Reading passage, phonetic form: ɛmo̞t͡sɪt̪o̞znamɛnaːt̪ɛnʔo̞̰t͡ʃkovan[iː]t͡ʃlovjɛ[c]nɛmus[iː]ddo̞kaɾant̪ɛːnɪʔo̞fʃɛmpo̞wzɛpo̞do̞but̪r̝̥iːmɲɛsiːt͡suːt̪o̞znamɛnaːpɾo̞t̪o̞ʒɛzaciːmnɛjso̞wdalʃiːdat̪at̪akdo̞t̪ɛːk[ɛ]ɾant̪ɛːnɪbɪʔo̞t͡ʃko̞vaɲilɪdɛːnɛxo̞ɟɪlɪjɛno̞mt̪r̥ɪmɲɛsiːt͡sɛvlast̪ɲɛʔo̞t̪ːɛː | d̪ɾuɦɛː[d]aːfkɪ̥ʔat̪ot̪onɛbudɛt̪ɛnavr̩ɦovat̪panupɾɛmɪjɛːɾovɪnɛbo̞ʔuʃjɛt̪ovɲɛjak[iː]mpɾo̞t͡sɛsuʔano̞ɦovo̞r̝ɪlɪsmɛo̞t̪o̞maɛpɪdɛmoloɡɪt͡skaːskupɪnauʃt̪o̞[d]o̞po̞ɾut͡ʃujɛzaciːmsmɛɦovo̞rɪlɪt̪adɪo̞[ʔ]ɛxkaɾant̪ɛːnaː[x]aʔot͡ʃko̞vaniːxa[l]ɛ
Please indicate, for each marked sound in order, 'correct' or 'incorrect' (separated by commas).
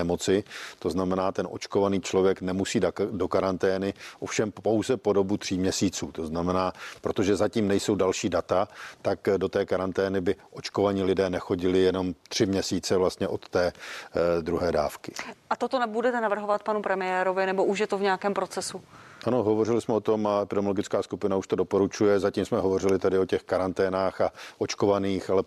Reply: correct, incorrect, correct, incorrect, correct, incorrect, correct, incorrect, correct, correct